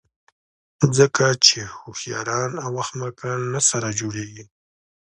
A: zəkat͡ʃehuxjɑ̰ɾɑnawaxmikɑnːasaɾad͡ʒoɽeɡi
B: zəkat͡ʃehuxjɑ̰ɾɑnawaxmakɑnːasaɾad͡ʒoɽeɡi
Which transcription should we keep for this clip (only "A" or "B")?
B